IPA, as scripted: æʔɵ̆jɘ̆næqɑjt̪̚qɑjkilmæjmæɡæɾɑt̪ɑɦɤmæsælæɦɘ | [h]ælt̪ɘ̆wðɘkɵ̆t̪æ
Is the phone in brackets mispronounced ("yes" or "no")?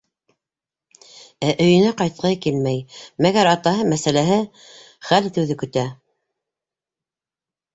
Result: yes